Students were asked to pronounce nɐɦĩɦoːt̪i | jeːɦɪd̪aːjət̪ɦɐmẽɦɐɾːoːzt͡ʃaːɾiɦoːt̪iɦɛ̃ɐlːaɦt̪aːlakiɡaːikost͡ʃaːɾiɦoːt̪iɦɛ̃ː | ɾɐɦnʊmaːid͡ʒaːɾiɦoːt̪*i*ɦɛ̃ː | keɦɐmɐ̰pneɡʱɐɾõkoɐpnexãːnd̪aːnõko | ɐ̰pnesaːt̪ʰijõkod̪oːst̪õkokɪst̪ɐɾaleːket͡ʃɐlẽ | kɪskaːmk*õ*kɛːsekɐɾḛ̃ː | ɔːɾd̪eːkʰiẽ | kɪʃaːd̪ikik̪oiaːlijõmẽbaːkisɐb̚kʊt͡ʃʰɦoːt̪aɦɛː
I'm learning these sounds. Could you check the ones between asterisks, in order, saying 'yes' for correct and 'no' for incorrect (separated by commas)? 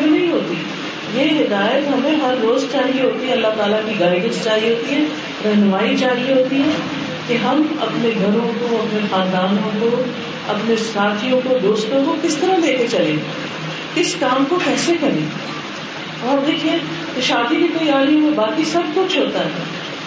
yes, no